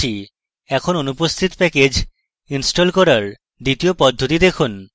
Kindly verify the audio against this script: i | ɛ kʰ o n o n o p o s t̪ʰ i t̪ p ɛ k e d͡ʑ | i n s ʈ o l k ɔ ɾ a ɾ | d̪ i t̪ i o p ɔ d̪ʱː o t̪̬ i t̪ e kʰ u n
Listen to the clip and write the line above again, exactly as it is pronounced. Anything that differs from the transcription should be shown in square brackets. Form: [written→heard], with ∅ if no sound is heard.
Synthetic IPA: i | ɛ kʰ o n o n [o→u] p o s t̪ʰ i t̪ p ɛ k e d͡ʑ | i n s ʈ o l k ɔ ɾ a ɾ | d̪ i t̪ i o p ɔ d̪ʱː o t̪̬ i [t̪→d̪] e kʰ u n